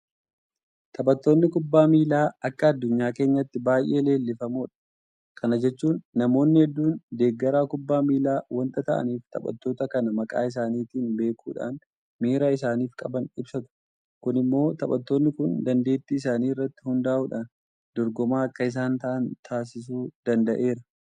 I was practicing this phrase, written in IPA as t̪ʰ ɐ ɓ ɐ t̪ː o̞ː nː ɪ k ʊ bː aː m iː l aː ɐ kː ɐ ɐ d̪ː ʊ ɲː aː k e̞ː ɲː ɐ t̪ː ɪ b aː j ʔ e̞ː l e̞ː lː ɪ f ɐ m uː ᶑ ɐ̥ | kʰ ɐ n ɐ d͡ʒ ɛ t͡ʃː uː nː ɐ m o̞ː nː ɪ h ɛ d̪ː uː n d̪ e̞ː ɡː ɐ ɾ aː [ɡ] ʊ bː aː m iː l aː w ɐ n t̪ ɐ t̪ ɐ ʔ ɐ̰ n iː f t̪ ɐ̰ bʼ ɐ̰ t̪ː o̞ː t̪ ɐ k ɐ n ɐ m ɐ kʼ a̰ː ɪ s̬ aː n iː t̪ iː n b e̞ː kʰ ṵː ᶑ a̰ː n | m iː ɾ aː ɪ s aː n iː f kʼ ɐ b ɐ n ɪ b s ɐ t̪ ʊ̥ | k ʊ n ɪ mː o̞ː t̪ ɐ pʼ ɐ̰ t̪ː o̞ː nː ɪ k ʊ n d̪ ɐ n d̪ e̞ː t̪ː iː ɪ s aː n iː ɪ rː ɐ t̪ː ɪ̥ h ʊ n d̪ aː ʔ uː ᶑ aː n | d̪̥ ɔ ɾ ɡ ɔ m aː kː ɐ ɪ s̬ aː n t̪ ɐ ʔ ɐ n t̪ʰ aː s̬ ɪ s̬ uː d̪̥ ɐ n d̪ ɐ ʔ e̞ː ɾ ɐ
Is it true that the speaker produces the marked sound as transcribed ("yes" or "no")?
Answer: no